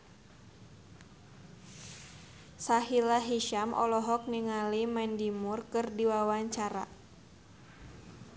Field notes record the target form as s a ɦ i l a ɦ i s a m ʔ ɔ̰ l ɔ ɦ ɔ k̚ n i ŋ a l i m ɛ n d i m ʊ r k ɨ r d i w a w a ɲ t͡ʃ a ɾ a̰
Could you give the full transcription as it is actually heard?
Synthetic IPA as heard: s a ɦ i l a ɦ i ʃ a m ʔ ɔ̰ l ɔ ɦ ɔ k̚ n i ŋ a l i m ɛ n d i m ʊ r k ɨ r d i w a w a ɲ t͡ʃ a ɾ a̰